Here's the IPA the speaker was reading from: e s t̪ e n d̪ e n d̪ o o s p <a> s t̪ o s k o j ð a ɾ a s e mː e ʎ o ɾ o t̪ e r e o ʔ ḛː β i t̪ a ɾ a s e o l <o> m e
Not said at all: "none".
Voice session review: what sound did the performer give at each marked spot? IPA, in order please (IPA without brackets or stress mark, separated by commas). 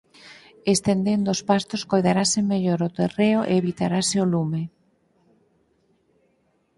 a, u